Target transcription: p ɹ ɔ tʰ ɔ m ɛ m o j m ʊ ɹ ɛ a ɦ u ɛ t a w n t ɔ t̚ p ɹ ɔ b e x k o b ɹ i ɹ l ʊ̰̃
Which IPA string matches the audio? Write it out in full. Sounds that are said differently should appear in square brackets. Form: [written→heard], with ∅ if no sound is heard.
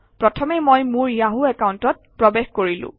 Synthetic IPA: p ɹ ɔ tʰ ɔ m ɛ m o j m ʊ ɹ [ɛ→i] a ɦ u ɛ [t→k] a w n t ɔ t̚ p ɹ ɔ b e x k o [b→∅] ɹ i [ɹ→∅] l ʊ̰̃